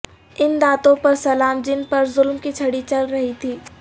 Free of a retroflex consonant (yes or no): no